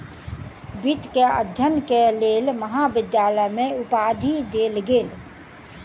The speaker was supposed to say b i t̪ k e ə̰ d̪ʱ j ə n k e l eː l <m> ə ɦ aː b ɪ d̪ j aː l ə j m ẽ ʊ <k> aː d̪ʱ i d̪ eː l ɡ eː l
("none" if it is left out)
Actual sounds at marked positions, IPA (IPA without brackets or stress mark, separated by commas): m, p